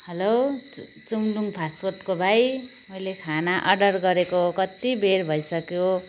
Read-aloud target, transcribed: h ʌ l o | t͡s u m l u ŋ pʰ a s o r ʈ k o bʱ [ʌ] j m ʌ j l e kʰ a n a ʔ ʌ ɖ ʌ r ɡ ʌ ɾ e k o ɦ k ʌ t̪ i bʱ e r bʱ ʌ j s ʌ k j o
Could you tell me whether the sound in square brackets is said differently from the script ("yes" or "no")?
yes